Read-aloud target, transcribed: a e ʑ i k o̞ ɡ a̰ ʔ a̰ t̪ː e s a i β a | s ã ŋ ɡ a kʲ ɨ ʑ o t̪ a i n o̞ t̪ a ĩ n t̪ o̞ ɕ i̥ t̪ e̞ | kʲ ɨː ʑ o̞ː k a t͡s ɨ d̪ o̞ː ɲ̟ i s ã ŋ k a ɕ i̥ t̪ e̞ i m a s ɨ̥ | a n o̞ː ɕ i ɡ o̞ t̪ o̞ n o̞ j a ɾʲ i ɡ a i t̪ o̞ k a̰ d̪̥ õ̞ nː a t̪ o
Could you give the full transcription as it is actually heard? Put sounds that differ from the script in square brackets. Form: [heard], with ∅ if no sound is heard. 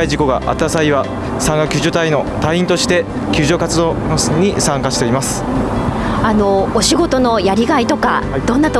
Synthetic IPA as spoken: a [i] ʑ i k o̞ ɡ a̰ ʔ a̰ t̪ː [a] s a i β a | s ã ŋ ɡ a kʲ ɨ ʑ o t̪ a i n o̞ t̪ a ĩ n t̪ o̞ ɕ i̥ t̪ e̞ | kʲ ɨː ʑ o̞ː k a t͡s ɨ d̪ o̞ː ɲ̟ i s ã ŋ k a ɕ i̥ t̪ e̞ i m a s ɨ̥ | a n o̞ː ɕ i ɡ o̞ t̪ o̞ n o̞ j a ɾʲ i ɡ a i t̪ o̞ k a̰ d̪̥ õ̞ nː a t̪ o